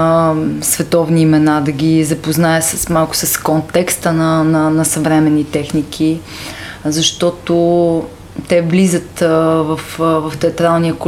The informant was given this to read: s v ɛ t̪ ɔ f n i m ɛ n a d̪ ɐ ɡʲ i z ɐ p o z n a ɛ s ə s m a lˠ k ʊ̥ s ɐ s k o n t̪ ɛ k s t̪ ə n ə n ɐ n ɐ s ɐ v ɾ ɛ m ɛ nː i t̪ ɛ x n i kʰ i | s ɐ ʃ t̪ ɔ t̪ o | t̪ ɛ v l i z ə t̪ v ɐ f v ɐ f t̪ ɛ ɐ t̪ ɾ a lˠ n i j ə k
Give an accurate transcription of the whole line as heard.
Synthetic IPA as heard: s v ɛ t̪ ɔ v n iː m ɛ n a d̪ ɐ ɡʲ i z ɐ p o z n a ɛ s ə s m a lˠ k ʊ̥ s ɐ s k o n t̪ ɛ k s t̪ ə n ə n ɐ n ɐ s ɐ v ɾ ɛ m ɛ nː i t̪ ɛ x n i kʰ i | z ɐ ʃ t̪ ɔ t̪ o | t̪ ɛ v l i z ə t̪ v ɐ f v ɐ f t̪ ɛ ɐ t̪ ɾ a lˠ n i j ə k